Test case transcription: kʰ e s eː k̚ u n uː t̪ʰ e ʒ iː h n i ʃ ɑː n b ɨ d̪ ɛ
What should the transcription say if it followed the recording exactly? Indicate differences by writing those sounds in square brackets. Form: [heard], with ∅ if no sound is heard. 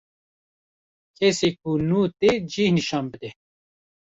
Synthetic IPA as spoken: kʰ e s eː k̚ u n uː [t̪] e [d͡ʒ] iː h n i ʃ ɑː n b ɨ d̪ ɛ

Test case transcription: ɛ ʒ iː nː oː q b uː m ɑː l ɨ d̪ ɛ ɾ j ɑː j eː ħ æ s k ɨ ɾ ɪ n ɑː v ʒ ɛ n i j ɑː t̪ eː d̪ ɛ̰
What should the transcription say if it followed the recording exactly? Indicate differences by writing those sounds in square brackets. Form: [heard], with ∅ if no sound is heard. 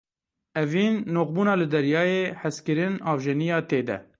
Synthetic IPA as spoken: ɛ [v] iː nː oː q b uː [n] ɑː l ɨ d̪ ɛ ɾ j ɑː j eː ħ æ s k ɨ ɾ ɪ n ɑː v ʒ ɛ n i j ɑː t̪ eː d̪ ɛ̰

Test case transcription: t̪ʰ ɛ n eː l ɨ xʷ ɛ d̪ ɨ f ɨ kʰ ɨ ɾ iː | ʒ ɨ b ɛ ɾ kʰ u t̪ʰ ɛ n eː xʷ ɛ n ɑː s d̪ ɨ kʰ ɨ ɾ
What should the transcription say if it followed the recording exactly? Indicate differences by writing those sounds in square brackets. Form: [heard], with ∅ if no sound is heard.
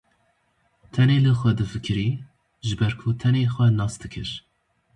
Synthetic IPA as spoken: t̪ʰ ɛ n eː l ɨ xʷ ɛ d̪ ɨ f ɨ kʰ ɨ ɾ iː | ʒ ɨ b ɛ ɾ kʰ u t̪ʰ ɛ n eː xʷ ɛ n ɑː s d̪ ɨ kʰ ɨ ɾ

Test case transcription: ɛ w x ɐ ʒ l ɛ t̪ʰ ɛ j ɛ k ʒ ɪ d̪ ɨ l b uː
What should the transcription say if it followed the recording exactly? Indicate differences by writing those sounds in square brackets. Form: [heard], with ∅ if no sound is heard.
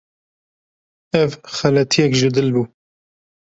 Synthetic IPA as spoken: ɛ [v] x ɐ [∅] l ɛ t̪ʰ [i] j ɛ k ʒ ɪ d̪ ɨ l b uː

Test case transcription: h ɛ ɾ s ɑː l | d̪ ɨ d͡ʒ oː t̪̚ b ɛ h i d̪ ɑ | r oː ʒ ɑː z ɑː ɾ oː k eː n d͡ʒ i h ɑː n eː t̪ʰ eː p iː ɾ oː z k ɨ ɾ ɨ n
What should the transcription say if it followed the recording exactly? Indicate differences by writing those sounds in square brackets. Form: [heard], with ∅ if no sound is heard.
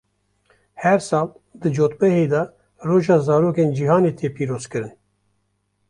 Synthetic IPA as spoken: h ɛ ɾ s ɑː l | d̪ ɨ d͡ʒ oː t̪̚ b ɛ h [e] d̪ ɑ | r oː ʒ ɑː z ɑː ɾ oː k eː n d͡ʒ i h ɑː n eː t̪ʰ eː p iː ɾ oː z k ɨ ɾ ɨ n

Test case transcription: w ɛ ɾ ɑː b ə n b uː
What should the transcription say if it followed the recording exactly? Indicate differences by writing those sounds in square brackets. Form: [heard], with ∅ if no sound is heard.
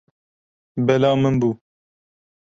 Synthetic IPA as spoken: [b] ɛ [l] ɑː [m] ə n b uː

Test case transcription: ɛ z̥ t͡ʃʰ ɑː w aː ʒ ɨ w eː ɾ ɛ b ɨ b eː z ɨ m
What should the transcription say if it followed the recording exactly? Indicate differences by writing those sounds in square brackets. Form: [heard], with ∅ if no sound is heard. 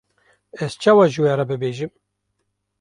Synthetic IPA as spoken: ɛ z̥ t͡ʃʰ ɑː w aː ʒ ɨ w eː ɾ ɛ b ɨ b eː [ʒ] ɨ m

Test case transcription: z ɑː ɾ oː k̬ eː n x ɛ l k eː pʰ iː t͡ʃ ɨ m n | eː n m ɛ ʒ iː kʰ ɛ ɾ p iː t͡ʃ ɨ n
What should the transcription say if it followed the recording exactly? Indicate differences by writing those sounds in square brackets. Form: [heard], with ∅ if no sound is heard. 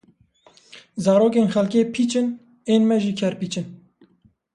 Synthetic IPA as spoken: z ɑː ɾ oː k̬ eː n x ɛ l k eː pʰ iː t͡ʃ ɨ [∅] n | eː n m ɛ ʒ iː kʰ ɛ ɾ p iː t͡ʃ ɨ n

